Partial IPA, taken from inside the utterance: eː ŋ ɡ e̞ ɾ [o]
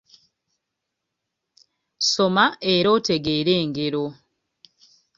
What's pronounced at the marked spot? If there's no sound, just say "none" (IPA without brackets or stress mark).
o